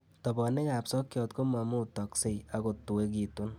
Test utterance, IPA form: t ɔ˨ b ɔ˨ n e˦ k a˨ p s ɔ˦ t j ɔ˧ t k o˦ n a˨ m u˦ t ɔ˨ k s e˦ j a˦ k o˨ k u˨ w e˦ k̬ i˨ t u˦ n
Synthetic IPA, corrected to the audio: t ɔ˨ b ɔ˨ n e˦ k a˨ p s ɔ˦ k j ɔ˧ t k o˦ m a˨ m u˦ t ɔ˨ k s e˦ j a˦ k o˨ t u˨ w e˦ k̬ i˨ t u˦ n